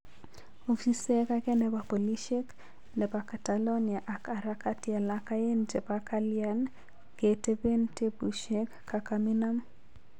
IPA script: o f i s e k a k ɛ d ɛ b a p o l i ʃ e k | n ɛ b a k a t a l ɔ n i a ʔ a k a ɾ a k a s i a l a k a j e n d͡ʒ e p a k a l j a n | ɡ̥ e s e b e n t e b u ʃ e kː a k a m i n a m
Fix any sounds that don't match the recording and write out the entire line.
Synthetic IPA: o f i s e k a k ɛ n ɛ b a p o l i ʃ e k | n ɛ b a k a t a l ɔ n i a ʔ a k a ɾ a k a t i a l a k a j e n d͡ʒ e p a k a l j a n | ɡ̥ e t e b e n t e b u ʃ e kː a k a m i n a m